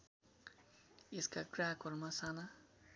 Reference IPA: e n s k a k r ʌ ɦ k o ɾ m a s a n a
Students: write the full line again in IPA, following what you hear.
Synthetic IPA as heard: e s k a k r a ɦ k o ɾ m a s a n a